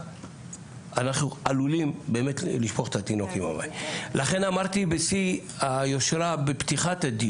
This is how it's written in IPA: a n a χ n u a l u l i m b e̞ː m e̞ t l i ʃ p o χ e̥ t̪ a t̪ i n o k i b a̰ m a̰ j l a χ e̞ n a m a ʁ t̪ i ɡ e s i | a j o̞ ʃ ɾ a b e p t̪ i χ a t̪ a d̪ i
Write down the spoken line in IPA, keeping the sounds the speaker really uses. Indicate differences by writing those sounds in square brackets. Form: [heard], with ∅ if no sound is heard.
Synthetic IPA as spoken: a n a χ n u a l u l i m b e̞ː m e̞ t l i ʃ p o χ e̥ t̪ a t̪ i n o k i [m] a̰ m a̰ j l a χ e̞ n a m a ʁ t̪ i [b] e s i | a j o̞ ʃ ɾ a b e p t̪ i χ a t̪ a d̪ i

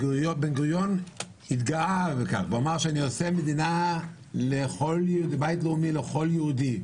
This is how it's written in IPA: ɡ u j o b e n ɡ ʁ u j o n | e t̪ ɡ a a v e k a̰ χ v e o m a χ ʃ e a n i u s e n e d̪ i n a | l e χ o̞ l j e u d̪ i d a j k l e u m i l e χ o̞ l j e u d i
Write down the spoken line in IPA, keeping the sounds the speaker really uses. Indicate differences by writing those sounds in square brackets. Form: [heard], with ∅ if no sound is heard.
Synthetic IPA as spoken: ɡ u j o b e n ɡ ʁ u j o n | [i] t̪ ɡ a a v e k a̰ χ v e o m a [ʁ] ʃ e a n i [o] s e [m] e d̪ i n a | l e χ o̞ l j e u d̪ i [b] a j [t] l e u m i l e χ o̞ l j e u d i

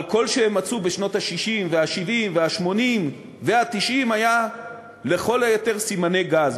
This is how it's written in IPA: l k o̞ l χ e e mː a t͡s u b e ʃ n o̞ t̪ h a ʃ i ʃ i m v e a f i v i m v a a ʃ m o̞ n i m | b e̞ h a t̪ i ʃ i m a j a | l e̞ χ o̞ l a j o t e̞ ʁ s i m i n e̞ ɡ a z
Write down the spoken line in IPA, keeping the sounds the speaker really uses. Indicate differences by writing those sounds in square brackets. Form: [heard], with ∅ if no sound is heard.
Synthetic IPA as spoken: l k o̞ l [ʃ] e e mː a t͡s u b e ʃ n o̞ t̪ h a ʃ i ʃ i m v e a [ʃ] i v i m v [e] a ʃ m o̞ n i m | [v] e̞ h a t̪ i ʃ i m a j a | l e̞ χ o̞ l a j o t e̞ ʁ s i m [a] n e̞ ɡ a z

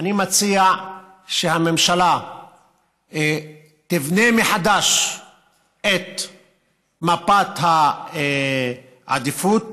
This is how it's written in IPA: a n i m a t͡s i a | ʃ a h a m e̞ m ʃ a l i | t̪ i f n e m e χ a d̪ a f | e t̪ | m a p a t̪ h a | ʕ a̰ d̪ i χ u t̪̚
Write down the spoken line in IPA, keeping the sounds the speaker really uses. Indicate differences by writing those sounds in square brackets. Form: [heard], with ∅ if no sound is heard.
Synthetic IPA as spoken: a n i m a t͡s i a | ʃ [e] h a m e̞ m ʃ a l [a] | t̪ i [v] n e m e [ħ] a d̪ a [ʃ] | e t̪ | m a p a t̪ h a | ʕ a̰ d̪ i [f] u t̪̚

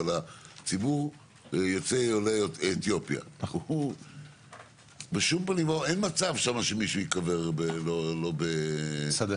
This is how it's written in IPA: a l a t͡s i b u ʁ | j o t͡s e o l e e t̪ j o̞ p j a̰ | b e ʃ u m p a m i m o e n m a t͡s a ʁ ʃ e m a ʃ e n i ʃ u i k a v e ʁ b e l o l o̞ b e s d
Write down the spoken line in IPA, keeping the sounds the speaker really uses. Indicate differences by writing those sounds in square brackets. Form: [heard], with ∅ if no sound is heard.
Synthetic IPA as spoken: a l a t͡s i b u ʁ | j o t͡s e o l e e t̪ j o̞ p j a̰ | b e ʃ u m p a [n] i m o e n m a t͡s a [v] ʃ [a] m a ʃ e [m] i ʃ u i k a v e ʁ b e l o l o̞ b e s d

